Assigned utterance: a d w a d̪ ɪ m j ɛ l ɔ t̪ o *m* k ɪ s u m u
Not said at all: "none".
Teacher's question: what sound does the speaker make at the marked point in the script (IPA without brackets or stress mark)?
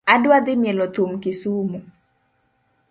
m